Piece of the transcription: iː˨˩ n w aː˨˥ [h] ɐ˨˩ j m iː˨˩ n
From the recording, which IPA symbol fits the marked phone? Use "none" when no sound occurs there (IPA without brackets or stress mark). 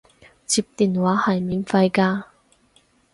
h